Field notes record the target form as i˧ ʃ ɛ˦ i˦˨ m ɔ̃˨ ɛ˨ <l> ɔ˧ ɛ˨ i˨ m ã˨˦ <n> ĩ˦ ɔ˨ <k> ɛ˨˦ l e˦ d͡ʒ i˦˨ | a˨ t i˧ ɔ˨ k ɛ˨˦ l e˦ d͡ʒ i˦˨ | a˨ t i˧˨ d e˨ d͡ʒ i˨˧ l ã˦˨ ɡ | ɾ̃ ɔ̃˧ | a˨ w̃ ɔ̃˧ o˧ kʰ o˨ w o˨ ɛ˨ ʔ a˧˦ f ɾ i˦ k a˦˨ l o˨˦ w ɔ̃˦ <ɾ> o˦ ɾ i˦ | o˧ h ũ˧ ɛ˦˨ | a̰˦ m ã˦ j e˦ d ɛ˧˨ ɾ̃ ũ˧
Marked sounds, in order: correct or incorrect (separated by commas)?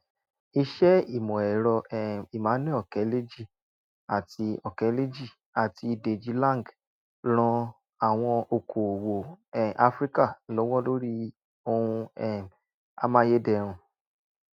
incorrect, correct, correct, incorrect